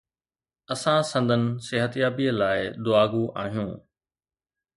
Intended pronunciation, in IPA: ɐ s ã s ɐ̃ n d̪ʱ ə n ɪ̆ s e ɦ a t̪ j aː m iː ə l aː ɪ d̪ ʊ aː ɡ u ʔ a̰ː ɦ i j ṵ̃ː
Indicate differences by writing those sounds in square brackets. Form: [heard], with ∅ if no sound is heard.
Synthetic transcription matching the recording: ɐ s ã s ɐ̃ n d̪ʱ ə n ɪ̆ s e ɦ [ə] t̪ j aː [b] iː ə l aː ɪ d̪ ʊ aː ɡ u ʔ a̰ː ɦ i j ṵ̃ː